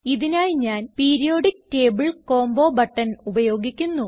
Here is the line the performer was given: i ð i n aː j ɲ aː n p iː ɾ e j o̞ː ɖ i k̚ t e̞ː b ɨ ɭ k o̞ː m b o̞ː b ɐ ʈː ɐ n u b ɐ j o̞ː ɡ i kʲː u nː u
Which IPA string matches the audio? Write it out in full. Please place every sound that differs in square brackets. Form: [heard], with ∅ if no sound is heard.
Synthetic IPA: i ð i n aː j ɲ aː n p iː ɾ [i] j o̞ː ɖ i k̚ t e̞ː b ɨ ɭ k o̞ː m b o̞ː b ɐ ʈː ɐ n u b ɐ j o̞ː ɡ i kʲː u nː u